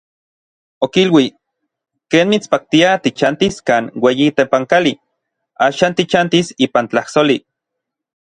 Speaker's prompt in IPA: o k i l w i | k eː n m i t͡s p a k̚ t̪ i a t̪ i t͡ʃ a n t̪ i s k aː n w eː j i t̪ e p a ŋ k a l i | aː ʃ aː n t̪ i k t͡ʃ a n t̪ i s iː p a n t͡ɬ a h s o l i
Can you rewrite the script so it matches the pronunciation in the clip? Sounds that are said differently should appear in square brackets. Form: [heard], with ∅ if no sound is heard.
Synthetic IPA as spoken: o k i l w i | k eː n m i t͡s p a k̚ t̪ i a t̪ i t͡ʃ a n t̪ i s k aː n w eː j i t̪ e p a ŋ k a l i | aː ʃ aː n t̪ i [∅] t͡ʃ a n t̪ i s iː p a n t͡ɬ a h s o l i